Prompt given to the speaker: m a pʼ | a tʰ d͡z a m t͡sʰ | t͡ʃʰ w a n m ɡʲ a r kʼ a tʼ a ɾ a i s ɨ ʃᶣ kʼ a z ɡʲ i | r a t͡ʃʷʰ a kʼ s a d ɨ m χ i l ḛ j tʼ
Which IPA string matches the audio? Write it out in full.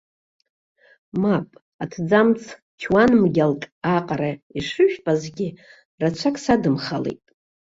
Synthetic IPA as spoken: m a pʼ | a tʰ d͡z a m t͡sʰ | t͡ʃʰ w a n m ɡʲ a l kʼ a qʼ a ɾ a i ʂ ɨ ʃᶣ pʼ a z ɡʲ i | r a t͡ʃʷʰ a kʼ s a d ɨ m χ a l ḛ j tʼ